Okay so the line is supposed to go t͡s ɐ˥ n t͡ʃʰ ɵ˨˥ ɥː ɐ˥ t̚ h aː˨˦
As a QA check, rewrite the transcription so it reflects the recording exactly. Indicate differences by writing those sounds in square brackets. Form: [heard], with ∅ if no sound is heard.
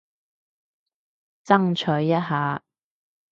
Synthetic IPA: t͡s ɐ˥ [ŋ] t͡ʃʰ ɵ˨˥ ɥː ɐ˥ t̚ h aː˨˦

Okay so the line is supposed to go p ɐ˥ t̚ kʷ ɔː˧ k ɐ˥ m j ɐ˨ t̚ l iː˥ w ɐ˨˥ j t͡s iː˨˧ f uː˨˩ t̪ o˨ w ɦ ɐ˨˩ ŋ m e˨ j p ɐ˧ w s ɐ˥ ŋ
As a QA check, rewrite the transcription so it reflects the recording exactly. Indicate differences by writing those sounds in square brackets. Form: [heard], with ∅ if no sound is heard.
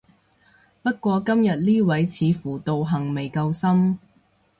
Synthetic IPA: p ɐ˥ t̚ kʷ ɔː˧ k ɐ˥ m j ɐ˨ t̚ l iː˥ w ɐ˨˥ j [t͡sʰ] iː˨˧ f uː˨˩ t̪ o˨ w ɦ ɐ˨˩ ŋ m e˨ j [k] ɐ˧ w s ɐ˥ [m]

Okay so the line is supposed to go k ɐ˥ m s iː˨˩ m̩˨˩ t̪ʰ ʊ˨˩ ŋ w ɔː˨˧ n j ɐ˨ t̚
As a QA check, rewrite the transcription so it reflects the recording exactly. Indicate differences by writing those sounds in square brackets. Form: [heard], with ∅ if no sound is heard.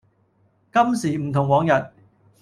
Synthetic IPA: k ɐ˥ m s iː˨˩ m̩˨˩ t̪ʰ ʊ˨˩ ŋ w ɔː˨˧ [ŋ] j ɐ˨ t̚

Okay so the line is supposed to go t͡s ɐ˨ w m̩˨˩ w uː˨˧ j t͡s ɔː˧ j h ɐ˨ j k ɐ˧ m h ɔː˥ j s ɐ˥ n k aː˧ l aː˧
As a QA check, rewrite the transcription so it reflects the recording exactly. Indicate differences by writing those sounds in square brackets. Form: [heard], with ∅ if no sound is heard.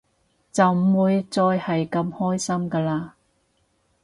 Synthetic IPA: t͡s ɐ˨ w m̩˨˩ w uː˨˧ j t͡s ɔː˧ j h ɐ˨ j k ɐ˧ m h ɔː˥ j s ɐ˥ [m] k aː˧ l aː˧

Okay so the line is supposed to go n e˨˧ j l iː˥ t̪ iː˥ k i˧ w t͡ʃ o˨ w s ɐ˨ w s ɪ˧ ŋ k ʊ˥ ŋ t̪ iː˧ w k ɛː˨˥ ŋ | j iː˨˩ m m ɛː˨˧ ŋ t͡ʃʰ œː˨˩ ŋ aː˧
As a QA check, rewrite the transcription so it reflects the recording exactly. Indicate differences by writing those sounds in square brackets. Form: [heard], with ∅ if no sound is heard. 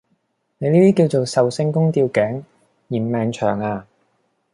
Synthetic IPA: n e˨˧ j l iː˥ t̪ iː˥ k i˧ w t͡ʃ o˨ w s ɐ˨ w s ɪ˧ ŋ k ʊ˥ ŋ t̪ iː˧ w k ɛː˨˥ ŋ | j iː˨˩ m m ɛː˨˧ ŋ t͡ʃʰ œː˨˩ ŋ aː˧

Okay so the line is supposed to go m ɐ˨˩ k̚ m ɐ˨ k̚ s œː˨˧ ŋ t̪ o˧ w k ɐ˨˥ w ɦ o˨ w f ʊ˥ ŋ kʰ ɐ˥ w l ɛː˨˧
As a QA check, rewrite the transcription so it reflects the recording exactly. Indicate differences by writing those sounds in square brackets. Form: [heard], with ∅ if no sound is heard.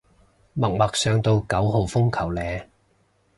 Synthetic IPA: m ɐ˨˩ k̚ m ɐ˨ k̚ s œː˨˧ ŋ t̪ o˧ w k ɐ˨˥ w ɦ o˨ w f ʊ˥ ŋ kʰ [ɐ˨˩] w l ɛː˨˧

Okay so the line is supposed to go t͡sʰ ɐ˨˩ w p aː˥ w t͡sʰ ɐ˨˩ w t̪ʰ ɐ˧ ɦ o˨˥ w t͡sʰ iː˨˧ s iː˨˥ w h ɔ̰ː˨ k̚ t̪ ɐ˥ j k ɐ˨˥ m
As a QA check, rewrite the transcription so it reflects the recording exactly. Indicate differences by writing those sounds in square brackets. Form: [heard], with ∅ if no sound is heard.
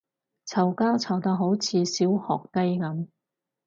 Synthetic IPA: t͡sʰ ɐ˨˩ w [k] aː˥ w t͡sʰ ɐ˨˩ w [t̪] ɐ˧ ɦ o˨˥ w t͡sʰ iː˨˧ s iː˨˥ w h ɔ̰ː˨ k̚ t̪ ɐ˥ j k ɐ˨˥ m

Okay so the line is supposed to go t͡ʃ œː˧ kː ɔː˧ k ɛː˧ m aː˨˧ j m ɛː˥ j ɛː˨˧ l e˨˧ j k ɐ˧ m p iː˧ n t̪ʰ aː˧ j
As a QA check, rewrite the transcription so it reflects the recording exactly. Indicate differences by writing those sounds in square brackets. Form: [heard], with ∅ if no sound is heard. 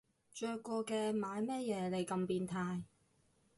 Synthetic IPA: t͡ʃ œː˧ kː ɔː˧ k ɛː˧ m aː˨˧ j m ɛː˥ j ɛː˨˧ l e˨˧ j k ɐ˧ m p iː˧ n t̪ʰ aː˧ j

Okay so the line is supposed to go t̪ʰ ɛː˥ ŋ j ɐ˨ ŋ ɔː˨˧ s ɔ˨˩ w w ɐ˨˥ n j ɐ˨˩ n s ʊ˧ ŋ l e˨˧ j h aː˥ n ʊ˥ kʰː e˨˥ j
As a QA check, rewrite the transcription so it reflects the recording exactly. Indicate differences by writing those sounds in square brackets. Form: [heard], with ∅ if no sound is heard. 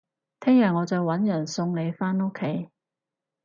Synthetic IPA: t̪ʰ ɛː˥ ŋ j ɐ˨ ŋ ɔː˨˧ [t͡s] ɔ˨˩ w w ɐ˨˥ n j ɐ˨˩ n s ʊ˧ ŋ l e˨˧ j [f] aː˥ n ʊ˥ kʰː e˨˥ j

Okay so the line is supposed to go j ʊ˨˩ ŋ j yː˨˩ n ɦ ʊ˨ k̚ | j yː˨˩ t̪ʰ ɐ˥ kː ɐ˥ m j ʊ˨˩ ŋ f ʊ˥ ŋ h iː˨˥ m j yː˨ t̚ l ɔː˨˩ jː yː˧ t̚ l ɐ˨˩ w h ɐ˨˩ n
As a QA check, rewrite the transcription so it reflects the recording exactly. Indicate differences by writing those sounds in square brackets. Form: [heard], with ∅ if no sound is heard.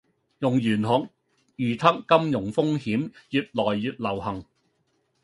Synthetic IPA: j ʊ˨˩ ŋ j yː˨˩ n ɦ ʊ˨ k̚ | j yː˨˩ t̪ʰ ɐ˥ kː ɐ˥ m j ʊ˨˩ ŋ f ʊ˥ ŋ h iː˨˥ m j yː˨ t̚ l ɔː˨˩ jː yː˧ t̚ l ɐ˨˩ w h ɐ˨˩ [ŋ]

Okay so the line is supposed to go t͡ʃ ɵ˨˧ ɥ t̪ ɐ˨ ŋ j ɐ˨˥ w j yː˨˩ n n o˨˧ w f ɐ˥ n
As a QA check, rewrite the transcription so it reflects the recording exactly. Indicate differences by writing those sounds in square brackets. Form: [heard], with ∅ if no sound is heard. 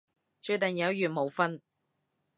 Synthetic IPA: t͡ʃ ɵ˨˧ ɥ t̪ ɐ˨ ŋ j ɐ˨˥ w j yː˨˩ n [m] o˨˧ w f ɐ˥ n

